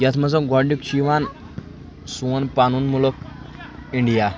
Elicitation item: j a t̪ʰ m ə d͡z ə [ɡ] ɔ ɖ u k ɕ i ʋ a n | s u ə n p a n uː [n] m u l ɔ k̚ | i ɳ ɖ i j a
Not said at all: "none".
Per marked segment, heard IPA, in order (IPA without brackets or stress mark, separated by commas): ɡ, n